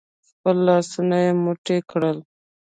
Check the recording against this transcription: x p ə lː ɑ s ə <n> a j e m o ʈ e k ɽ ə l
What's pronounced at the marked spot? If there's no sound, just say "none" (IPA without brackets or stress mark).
n